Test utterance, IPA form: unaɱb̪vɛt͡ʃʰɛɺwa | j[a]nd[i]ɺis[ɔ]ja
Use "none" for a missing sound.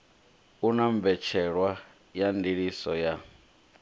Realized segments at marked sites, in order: a, i, ɔ

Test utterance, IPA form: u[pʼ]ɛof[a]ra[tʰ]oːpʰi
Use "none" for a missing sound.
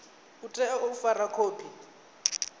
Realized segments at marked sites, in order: tʼ, a, kʰ

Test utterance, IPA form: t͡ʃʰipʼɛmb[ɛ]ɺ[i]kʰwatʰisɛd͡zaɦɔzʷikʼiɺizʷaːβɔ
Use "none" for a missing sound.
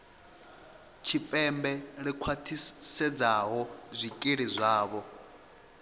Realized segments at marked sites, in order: ɛ, i

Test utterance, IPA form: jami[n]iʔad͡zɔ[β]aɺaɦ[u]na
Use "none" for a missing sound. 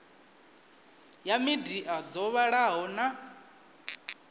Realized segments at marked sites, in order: d, β, ɔ

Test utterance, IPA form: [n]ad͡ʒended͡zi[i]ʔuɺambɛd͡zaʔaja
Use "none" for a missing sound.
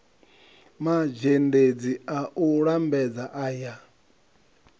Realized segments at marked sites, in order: m, a

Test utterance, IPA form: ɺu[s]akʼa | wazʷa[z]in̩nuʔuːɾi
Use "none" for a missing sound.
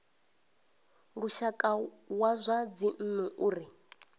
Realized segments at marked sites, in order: ʃ, d͡z

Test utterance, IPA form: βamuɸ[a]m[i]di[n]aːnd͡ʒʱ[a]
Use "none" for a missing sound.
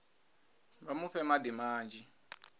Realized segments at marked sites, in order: ɛ, a, m, i

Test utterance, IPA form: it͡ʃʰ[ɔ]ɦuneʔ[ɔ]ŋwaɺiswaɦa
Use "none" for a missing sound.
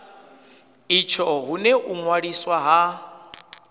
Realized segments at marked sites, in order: ɔ, u

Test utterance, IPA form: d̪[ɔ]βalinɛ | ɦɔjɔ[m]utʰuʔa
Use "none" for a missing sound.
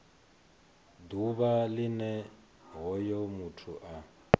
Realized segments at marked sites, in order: u, m

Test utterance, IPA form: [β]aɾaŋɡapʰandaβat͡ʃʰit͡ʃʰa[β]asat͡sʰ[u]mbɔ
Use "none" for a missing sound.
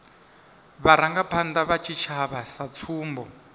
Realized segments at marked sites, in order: β, β, uː

